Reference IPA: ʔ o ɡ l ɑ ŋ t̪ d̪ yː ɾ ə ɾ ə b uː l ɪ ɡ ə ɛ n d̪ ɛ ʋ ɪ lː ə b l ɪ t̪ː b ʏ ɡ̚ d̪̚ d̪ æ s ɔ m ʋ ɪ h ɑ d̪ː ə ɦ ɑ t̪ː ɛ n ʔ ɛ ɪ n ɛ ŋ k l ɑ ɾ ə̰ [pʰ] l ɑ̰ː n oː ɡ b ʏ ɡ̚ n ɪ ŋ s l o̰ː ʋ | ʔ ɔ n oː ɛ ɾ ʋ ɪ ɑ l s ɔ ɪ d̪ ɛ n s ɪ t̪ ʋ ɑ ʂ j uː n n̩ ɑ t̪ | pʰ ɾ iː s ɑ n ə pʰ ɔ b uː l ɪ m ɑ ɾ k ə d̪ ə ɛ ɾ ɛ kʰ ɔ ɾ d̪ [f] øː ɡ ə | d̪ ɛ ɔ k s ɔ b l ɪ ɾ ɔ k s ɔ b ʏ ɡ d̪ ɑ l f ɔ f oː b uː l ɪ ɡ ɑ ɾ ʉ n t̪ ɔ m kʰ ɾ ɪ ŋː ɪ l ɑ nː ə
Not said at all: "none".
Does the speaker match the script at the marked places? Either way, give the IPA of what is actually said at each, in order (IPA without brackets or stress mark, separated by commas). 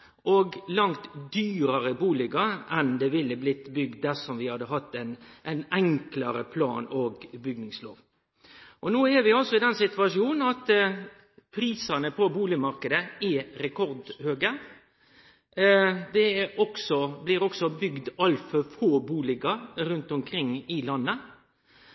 pʰ, h